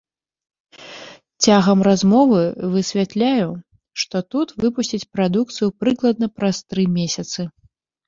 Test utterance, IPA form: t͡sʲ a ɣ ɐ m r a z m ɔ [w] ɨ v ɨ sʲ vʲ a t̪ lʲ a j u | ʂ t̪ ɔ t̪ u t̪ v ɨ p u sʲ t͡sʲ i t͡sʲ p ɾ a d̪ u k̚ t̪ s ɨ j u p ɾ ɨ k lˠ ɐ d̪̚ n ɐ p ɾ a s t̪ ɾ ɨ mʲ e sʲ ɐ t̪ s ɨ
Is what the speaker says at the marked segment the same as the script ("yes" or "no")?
no